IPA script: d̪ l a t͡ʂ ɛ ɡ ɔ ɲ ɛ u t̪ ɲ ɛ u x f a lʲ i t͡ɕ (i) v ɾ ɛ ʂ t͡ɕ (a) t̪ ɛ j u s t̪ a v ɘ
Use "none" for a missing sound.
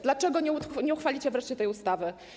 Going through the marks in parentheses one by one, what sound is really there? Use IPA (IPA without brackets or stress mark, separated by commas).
ɛ, ɛ